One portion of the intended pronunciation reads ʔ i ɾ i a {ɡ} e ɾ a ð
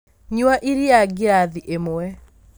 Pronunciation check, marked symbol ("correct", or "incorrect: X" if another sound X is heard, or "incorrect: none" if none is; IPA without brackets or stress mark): correct